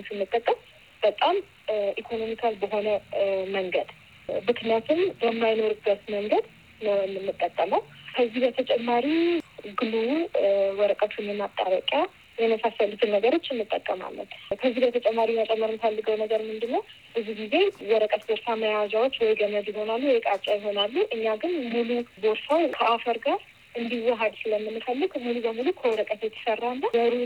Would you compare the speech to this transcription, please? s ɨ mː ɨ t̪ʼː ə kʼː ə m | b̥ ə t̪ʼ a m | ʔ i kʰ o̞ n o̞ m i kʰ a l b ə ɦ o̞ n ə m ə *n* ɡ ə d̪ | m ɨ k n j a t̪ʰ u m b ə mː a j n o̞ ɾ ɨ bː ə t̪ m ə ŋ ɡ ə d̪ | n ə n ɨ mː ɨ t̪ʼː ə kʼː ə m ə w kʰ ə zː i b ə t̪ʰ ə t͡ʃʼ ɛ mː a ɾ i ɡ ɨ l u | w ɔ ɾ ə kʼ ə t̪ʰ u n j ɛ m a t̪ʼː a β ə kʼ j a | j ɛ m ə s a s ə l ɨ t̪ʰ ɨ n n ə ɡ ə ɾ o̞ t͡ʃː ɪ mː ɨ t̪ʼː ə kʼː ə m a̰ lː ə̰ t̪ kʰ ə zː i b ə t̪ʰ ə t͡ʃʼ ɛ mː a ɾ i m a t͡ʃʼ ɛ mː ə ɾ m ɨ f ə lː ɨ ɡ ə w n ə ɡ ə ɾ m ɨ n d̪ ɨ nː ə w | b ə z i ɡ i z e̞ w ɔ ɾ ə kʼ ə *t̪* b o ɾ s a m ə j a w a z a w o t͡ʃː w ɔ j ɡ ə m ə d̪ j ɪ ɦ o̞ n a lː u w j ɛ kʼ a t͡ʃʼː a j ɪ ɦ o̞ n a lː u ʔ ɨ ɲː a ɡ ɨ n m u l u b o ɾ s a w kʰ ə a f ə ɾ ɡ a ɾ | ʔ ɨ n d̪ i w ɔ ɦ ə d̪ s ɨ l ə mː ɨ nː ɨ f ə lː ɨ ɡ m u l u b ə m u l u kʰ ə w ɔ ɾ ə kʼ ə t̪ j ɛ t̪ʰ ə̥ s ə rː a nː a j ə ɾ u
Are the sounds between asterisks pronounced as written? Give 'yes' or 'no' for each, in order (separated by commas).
no, yes